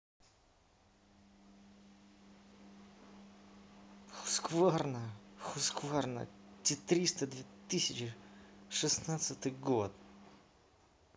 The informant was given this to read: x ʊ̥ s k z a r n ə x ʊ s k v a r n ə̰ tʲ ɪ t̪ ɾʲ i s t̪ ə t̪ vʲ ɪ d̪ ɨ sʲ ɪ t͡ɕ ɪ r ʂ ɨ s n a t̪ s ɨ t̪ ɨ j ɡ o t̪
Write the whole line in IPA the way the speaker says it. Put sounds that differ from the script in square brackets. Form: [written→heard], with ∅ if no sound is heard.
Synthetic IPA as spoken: x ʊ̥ s k [z→v] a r n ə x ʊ s k v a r n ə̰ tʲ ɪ t̪ ɾʲ i s t̪ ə [t̪→d̪] vʲ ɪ [d̪→t̪] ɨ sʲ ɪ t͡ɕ ɪ [r→∅] ʂ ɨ s n a t̪ s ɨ t̪ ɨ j ɡ o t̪